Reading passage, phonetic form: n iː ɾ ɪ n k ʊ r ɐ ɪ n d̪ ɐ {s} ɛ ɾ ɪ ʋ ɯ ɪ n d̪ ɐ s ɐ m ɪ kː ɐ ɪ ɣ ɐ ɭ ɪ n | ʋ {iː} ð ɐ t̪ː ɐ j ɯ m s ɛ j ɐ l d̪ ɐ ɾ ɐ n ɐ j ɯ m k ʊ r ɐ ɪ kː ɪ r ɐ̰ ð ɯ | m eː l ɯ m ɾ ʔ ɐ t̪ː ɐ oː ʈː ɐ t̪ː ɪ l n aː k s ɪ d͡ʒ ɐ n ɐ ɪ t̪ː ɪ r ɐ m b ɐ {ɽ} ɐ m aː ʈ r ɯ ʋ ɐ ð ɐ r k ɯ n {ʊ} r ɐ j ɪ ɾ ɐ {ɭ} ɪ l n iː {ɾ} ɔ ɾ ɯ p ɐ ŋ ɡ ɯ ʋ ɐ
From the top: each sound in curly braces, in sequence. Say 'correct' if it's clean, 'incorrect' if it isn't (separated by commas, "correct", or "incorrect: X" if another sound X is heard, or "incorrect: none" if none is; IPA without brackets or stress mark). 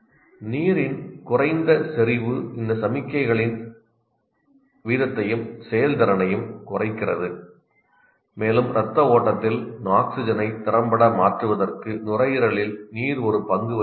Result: correct, correct, correct, correct, correct, correct